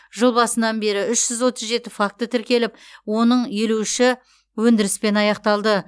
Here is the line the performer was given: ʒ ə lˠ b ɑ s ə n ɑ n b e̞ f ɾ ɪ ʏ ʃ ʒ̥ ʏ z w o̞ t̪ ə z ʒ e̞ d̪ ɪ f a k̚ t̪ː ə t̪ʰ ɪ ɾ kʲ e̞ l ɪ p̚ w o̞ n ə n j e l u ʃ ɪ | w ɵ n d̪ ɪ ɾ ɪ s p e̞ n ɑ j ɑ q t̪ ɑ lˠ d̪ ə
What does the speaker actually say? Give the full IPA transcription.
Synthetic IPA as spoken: ʒ ə lˠ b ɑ s ə n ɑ n b e̞ ɾ ɪ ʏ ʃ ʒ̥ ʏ z w o̞ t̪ ə z ʒ e̞ t̪ ɪ f a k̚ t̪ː ə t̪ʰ ɪ ɾ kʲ e̞ l ɪ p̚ w o̞ n ə ɴ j e l u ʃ ɪ | w ɵ n d̪ ɪ ɾ ɪ s p e̞ n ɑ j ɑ q t̪ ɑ lˠ d̪ ə

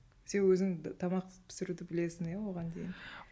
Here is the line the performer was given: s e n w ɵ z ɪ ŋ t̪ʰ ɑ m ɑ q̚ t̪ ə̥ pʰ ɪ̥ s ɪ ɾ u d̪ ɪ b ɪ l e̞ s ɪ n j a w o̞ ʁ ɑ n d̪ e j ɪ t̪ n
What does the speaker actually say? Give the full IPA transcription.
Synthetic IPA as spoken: s e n w ɵ z ɪ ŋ t̪ʰ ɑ m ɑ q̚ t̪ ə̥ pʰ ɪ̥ s ɪ ɾ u d̪ ɪ b ɪ l e̞ s ɪ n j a w o̞ ʁ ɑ n d̪ e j ɪ n

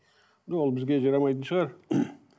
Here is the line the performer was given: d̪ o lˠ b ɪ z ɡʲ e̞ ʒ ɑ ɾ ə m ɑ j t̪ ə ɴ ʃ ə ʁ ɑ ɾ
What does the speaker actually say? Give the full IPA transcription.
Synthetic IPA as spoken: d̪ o lˠ b ɪ z ɡʲ e̞ ʒ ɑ ɾ ɑ m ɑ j t̪ ə n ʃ ə ʁ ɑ ɾ

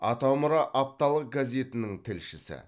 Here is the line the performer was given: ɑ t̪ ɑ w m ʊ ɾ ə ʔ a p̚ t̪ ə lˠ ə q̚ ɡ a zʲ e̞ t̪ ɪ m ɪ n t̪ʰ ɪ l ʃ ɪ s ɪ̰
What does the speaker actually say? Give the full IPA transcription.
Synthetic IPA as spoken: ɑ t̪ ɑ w m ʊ ɾ ɑ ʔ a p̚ t̪ ɑ lˠ ə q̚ ɡ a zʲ e̞ t̪ ɪ n ɪ ŋ t̪ʰ ɪ l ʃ ɪ s ɪ̰

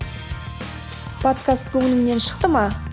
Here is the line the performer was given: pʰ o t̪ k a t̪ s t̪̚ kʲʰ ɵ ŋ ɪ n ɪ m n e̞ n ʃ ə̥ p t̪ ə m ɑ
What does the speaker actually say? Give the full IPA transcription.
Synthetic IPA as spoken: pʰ o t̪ k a s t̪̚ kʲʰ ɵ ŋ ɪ n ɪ ŋ n e̞ n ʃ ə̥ q t̪ ə m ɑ

